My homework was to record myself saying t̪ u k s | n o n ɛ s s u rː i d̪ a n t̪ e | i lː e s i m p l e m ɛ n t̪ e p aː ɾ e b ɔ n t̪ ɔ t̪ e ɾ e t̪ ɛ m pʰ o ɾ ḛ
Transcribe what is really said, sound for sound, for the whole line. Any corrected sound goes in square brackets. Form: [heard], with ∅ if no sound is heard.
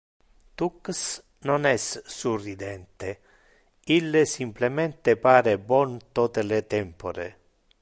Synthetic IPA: t̪ u k s | n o n ɛ s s u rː i d̪ [ɛ] n t̪ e | i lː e s i m p l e m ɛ n t̪ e p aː ɾ e b ɔ n t̪ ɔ t̪ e [l] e t̪ ɛ m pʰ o ɾ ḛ